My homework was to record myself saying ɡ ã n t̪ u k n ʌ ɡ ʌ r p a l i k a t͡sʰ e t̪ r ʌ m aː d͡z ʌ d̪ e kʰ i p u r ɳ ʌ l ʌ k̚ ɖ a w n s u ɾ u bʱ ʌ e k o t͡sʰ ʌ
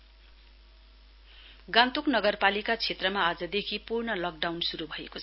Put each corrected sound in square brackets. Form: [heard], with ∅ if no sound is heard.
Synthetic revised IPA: ɡ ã n t̪ u k n ʌ ɡ ʌ r p a l i k a t͡sʰ e t̪ r ʌ m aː d͡z ʌ d̪ e kʰ i p u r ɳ ʌ l ʌ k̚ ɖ a w n s u ɾ u bʱ ʌ e k o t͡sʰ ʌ

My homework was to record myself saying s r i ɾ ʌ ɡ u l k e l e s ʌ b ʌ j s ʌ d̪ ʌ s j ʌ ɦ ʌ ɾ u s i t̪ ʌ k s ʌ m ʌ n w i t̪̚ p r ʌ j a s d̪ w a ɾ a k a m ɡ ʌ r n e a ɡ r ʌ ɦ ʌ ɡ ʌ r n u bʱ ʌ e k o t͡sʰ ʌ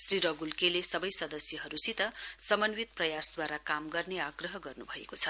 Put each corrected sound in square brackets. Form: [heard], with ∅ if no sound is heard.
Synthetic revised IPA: s r i ɾ ʌ ɡ u l k e l e s ʌ b ʌ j s ʌ d̪ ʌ s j ʌ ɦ ʌ ɾ u s i t̪ ʌ [∅] s ʌ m ʌ n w i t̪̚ p r ʌ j a s d̪ w a ɾ a k a m ɡ ʌ r n e a ɡ r ʌ ɦ ʌ ɡ ʌ r n u bʱ ʌ e k o t͡sʰ ʌ

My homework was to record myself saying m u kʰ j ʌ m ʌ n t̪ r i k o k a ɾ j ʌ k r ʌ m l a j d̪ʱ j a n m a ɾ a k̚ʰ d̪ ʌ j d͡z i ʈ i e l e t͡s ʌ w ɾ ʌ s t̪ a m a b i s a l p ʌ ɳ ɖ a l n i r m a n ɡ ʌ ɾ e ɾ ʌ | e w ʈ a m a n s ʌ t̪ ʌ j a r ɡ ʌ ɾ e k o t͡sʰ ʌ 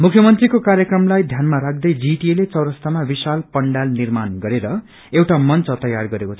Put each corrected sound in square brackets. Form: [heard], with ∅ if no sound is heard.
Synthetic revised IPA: m u kʰ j ʌ m ʌ n t̪ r i k o k a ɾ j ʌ k r ʌ m l a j d̪ʱ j a n m a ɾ a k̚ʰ d̪ ʌ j d͡z i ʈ i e l e t͡s ʌ w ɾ ʌ s t̪ a m a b i s a l p ʌ ɳ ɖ a l n i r m a n ɡ ʌ ɾ e ɾ ʌ | e w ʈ a m [ʌ] n [t͡s] ʌ t̪ ʌ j a r ɡ ʌ ɾ e k o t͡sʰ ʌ

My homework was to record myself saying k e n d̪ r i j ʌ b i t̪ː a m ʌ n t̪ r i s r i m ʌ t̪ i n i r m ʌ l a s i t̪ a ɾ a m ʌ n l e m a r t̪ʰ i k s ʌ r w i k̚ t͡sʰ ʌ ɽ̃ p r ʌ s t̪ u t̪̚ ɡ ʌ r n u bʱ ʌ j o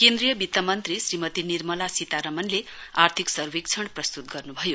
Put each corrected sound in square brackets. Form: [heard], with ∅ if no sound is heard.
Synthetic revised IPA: k e n d̪ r i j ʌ b i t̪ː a m ʌ n t̪ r i s r i m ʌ t̪ i n i r m ʌ l a s i t̪ a ɾ [ʌ] m ʌ n l e [∅] a r t̪ʰ i k s ʌ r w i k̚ t͡sʰ ʌ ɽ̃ p r ʌ s t̪ u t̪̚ ɡ ʌ r n u bʱ ʌ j o

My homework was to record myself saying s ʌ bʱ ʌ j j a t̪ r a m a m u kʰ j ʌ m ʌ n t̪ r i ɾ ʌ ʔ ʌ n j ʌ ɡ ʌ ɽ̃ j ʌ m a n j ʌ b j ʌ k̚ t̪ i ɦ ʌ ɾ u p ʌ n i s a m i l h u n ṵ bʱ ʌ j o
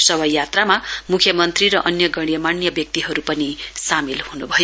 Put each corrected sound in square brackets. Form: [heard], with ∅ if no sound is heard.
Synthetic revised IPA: s ʌ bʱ ʌ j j a t̪ r a m a m u kʰ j ʌ m ʌ n t̪ r i ɾ ʌ ʔ ʌ n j ʌ ɡ ʌ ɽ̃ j ʌ m a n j ʌ b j ʌ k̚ t̪ i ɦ ʌ ɾ u p ʌ n i s a m i l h u n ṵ bʱ ʌ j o

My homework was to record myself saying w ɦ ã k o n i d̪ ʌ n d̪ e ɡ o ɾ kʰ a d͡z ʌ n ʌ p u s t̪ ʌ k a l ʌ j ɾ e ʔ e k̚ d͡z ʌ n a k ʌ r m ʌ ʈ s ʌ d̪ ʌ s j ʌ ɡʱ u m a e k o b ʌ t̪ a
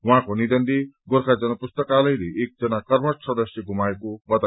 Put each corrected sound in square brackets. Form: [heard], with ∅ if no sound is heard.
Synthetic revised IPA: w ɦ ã k o n i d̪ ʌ n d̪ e ɡ o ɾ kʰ a d͡z ʌ n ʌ p u s t̪ ʌ k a l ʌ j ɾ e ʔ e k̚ d͡z ʌ n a k ʌ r m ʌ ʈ s ʌ d̪ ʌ s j ʌ ɡʱ u m a e k o b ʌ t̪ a

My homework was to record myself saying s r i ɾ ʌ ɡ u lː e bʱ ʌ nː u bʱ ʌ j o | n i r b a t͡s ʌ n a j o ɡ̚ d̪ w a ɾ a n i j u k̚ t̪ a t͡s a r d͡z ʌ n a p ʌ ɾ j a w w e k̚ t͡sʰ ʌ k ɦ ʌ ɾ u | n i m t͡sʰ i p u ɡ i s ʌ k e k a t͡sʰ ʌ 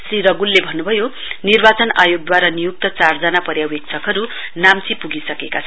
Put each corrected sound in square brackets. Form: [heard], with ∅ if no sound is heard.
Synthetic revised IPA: s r i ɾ ʌ ɡ u lː e bʱ ʌ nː u bʱ ʌ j o | n i r b a t͡s ʌ n a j o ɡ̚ d̪ w a ɾ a n i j u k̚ t̪ [ʌ] t͡s a r d͡z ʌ n a p ʌ ɾ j a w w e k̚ t͡sʰ ʌ k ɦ ʌ ɾ u | n [a] m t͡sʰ i p u ɡ i s ʌ k e k a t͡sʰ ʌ

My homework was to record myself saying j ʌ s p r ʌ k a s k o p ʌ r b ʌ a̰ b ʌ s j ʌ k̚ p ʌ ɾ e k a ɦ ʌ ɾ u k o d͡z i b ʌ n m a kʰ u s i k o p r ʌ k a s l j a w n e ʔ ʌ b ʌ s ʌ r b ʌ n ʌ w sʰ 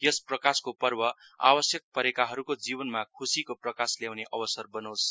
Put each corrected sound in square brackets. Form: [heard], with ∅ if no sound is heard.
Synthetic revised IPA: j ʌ s p r ʌ k a s k o p ʌ r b ʌ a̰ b ʌ s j ʌ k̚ p ʌ ɾ e k a ɦ ʌ ɾ u k o d͡z i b ʌ n m a kʰ u s i k o p r ʌ k a s l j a w n e ʔ ʌ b ʌ s ʌ r b ʌ n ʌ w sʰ

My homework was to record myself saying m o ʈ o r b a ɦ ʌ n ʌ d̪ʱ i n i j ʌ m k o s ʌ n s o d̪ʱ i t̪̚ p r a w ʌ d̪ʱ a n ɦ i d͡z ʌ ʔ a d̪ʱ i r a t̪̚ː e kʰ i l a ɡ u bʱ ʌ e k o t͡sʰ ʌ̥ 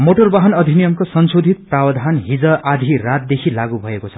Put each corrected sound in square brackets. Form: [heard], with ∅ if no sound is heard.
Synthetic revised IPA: m o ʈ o r b a ɦ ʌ n ʌ d̪ʱ i n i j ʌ m k o s ʌ n s o d̪ʱ i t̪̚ p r a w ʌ d̪ʱ a n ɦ i d͡z ʌ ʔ a d̪ʱ i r a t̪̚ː e kʰ i l a ɡ u bʱ ʌ e k o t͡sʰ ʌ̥

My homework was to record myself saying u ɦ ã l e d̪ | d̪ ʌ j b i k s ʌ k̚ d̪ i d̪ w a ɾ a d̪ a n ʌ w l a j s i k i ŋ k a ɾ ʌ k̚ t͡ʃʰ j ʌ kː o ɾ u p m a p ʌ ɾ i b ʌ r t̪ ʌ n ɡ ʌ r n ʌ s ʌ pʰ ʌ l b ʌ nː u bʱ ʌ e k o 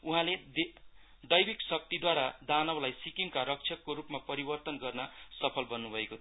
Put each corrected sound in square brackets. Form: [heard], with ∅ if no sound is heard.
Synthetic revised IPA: u ɦ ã l e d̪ | d̪ ʌ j b i k s ʌ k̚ [t̪] i d̪ w a ɾ a d̪ a n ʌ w l a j s i k i ŋ k a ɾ ʌ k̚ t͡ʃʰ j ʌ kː o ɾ u p m a p ʌ ɾ i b ʌ r t̪ ʌ n ɡ ʌ r n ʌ s ʌ pʰ ʌ l b ʌ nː u bʱ ʌ e k o

